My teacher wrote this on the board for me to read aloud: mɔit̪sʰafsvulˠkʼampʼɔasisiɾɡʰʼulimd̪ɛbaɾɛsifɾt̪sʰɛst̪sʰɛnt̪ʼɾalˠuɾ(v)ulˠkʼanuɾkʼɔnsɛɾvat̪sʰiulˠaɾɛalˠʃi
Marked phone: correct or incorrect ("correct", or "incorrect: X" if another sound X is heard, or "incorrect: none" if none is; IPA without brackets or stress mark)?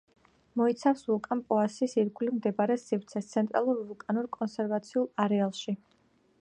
correct